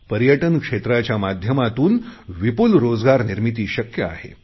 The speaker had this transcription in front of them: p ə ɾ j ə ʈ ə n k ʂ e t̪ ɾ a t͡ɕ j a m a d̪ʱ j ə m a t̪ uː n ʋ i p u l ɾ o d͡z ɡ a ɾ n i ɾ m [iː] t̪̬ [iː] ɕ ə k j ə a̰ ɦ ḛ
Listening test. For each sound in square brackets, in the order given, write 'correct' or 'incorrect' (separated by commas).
incorrect, correct